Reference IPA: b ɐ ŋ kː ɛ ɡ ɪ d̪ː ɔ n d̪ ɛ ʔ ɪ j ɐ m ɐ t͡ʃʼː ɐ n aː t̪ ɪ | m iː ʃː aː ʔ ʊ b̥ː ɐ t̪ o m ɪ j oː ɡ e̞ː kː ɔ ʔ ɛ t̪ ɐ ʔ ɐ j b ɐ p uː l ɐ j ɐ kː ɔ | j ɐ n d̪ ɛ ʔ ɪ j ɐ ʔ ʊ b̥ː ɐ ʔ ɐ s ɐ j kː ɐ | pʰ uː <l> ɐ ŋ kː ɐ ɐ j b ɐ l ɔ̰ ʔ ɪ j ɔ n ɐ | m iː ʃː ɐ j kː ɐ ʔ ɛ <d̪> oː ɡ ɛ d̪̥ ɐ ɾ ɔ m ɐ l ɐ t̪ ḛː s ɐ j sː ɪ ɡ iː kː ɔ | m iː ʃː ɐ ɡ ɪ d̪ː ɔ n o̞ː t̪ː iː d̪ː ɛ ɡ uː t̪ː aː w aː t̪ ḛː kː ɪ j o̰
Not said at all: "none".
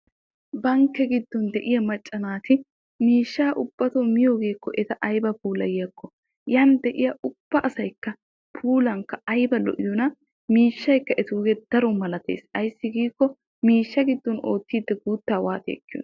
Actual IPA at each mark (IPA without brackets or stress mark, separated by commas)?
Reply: l, t̪